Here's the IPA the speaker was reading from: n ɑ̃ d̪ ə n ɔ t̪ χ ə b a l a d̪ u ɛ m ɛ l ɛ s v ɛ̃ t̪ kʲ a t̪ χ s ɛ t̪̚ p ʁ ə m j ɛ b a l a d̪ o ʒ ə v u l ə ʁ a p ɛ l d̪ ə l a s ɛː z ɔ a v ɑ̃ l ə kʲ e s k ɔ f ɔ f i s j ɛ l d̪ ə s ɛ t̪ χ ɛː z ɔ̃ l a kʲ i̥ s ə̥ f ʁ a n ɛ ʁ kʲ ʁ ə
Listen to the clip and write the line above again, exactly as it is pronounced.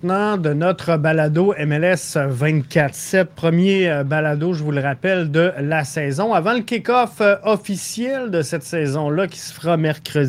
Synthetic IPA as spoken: n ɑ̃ d̪ ə n ɔ t̪ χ ə b a l a d̪ o ɛ m ɛ l ɛ s v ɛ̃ t̪ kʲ a t̪ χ s ɛ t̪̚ p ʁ ə m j e b a l a d̪ o ʒ ə v u l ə ʁ a p ɛ l d̪ ə l a s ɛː z ɔ̃ a v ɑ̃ l ə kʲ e k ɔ f ɔ f i s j ɛ l d̪ ə s ɛ t̪ s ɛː z ɔ̃ l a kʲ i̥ s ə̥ f ʁ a m ɛ ʁ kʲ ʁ ə